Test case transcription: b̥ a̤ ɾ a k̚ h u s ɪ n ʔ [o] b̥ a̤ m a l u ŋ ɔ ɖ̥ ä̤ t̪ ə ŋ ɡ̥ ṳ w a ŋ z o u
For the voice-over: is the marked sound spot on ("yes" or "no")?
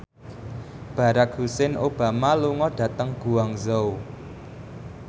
yes